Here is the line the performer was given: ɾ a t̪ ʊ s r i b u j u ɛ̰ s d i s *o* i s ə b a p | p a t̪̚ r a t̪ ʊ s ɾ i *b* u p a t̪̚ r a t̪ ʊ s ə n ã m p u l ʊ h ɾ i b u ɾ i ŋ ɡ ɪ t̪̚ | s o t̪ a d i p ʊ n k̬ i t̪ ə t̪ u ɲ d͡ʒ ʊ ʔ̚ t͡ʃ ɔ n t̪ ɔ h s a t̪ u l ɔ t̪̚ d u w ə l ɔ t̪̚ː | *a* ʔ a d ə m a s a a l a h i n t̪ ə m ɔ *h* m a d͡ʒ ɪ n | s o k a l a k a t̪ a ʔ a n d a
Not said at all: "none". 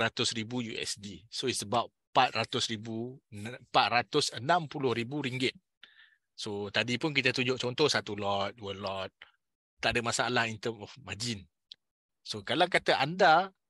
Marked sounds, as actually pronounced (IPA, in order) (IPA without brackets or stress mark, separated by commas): o, b, a, f